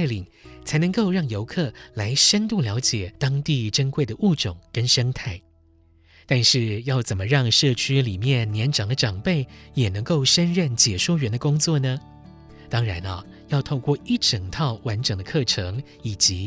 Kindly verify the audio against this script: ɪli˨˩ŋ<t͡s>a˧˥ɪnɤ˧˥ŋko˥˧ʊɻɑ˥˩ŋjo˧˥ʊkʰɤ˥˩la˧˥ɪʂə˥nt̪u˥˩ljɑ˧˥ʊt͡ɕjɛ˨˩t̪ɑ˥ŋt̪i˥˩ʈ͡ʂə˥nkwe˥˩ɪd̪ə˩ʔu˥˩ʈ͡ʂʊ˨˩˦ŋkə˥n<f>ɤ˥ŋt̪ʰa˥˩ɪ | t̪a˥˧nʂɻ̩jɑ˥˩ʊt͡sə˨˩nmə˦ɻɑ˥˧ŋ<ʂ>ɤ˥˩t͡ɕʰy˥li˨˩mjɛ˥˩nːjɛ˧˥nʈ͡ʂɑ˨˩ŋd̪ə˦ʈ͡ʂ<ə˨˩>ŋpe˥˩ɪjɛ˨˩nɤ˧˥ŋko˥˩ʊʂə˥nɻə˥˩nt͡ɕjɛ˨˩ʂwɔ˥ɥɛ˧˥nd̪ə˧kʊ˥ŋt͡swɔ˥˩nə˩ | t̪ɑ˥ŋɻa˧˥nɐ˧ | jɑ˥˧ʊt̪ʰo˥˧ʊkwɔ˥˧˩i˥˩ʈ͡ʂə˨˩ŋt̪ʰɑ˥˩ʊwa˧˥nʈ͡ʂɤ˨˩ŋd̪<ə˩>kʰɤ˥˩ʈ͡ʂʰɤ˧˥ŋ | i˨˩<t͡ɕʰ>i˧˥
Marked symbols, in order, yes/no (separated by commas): no, no, yes, no, no, no